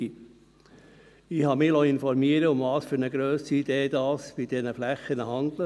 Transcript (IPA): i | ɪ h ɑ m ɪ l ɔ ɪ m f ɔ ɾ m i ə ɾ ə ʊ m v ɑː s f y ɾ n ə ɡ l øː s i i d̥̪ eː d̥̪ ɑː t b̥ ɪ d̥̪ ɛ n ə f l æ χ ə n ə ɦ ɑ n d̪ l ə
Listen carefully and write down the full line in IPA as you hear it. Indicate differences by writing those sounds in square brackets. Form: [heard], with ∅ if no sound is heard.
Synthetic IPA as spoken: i | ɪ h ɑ m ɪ l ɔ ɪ [n] f ɔ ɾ m i ə ɾ ə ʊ m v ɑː s f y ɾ n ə ɡ [ɾ] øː s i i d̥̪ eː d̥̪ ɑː [s] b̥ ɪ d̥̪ ɛ n ə f l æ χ ə n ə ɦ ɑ n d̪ l ə